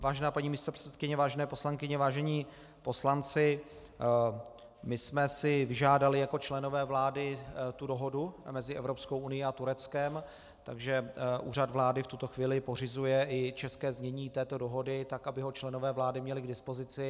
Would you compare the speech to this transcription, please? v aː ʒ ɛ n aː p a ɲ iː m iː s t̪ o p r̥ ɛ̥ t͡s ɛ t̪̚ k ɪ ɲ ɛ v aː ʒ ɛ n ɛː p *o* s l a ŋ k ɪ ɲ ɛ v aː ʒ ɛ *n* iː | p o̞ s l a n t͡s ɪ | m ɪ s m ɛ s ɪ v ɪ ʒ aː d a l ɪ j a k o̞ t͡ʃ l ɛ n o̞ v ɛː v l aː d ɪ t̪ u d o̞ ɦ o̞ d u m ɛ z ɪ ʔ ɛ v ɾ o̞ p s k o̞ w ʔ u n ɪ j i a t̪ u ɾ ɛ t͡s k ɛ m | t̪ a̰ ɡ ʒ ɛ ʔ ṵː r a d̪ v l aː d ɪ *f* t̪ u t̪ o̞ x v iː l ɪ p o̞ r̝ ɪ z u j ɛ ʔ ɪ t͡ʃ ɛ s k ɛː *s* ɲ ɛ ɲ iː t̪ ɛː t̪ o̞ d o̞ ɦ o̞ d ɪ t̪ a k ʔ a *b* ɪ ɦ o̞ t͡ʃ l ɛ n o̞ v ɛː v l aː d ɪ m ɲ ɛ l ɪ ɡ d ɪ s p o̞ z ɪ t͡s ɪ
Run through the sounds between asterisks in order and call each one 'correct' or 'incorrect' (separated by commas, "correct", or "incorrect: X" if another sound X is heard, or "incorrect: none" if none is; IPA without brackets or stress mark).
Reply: correct, incorrect: ɲ, correct, incorrect: z, correct